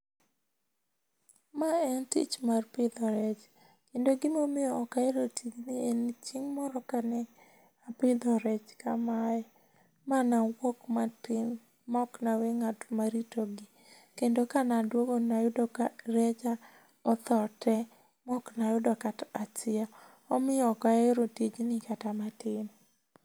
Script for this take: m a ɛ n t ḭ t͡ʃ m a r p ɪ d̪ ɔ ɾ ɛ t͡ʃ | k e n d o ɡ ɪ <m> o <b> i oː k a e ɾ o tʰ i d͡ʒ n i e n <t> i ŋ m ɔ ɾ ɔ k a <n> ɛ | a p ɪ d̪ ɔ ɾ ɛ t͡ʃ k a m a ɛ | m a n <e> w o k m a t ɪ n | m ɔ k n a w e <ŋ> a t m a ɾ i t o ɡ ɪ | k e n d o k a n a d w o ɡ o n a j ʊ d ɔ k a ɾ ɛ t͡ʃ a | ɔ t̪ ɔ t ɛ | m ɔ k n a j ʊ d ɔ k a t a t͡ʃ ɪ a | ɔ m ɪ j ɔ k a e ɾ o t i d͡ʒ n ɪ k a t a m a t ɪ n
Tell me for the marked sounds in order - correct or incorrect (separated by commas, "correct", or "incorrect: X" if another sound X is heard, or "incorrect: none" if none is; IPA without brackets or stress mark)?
correct, incorrect: m, incorrect: t͡ʃ, correct, incorrect: a, correct